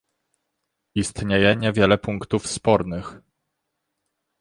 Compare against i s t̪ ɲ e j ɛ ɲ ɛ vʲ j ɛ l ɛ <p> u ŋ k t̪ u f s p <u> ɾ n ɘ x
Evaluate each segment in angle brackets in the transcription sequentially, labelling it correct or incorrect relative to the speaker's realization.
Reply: correct, incorrect

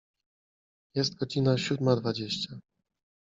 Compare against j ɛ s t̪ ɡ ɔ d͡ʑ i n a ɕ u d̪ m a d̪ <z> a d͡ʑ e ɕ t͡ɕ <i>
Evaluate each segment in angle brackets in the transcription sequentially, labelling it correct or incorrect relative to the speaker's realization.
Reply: incorrect, incorrect

